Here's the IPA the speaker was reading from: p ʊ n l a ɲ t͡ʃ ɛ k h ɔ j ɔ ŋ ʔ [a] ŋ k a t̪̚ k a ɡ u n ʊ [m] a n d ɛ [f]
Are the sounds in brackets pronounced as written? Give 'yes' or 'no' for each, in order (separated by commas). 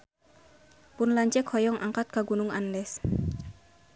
yes, no, no